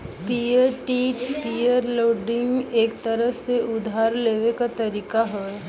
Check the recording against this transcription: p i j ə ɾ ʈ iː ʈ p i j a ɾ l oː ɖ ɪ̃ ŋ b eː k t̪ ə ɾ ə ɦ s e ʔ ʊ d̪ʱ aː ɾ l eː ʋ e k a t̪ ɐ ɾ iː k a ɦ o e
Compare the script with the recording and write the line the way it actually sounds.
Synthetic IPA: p i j ə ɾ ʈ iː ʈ p i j ə ɾ l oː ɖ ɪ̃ ŋ ɡ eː k t̪ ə ɾ ə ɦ s e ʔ ʊ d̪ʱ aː ɾ l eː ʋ e k a t̪ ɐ ɾ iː k a ɦ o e